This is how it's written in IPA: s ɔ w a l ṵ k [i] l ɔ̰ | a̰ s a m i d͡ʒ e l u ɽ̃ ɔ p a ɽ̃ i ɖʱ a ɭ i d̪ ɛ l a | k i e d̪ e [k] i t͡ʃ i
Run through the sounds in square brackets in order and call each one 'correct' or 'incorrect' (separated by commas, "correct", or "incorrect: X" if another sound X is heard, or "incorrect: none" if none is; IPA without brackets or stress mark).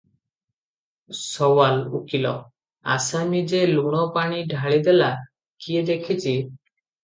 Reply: correct, incorrect: kʰ